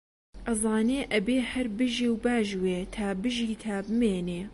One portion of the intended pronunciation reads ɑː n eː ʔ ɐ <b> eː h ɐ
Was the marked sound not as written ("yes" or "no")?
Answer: no